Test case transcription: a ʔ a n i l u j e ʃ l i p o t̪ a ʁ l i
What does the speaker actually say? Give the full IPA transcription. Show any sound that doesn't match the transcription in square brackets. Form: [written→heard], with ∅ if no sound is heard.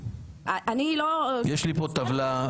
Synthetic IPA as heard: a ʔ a n i l [u→o] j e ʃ l i p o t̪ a [ʁ→v] l [i→a]